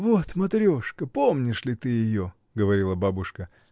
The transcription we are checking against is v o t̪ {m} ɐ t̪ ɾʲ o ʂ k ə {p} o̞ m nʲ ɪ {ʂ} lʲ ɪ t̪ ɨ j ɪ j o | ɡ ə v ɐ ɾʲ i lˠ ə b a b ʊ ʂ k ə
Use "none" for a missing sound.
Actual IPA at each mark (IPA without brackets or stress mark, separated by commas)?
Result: m, p, ʂ